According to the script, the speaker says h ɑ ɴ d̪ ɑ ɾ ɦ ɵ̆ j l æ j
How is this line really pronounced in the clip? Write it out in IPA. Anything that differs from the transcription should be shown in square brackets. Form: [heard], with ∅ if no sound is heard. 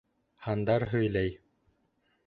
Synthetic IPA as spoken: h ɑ [n] d̪ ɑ ɾ ɦ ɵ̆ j l æ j